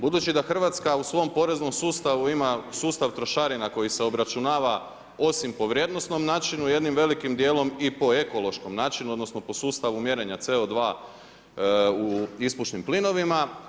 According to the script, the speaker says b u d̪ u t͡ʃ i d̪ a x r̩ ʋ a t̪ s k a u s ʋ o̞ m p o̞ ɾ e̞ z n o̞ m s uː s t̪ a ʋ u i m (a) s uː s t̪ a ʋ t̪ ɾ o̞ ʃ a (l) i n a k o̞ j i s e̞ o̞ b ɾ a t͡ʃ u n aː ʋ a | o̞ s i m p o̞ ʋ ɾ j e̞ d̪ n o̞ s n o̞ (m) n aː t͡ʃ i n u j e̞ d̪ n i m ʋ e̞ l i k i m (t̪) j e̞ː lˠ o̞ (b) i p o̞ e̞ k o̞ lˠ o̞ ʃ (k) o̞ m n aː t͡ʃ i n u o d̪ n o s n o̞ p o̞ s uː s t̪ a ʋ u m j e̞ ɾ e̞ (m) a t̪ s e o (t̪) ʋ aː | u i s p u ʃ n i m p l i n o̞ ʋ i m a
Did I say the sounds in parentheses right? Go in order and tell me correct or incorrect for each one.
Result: correct, incorrect: ɾ, correct, incorrect: d̪, incorrect: m, correct, incorrect: ɲ, incorrect: d̪

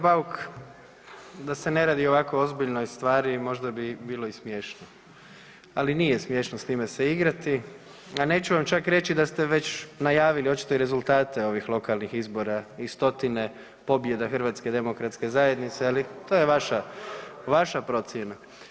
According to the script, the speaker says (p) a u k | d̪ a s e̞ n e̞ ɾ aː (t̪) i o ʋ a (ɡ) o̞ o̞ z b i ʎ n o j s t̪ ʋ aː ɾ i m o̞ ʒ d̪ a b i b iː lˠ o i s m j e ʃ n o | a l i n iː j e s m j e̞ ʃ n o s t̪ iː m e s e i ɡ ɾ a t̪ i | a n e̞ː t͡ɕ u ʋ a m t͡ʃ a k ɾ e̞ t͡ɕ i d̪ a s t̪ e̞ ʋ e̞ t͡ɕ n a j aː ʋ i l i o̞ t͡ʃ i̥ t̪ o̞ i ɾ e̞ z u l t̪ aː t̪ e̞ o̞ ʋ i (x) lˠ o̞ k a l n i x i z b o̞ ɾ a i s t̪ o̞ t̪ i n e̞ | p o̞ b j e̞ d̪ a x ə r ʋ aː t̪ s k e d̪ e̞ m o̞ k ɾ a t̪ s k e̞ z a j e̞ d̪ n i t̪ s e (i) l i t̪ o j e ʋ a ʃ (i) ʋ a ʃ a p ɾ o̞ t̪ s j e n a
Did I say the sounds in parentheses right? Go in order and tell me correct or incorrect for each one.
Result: incorrect: b, incorrect: d̪, incorrect: k, correct, incorrect: a, incorrect: a

